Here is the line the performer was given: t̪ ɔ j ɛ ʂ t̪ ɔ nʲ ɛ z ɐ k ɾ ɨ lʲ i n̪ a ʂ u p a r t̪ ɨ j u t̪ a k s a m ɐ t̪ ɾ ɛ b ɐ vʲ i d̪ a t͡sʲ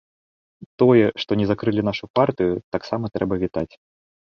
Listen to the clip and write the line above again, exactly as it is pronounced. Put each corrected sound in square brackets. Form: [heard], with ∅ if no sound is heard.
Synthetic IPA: t̪ ɔ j ɛ ʂ t̪ ɔ nʲ ɛ z [a] k ɾ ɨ lʲ i n̪ a ʂ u p a r t̪ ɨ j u t̪ a k s a m ɐ t̪ ɾ ɛ b ɐ vʲ i [t̪] a t͡sʲ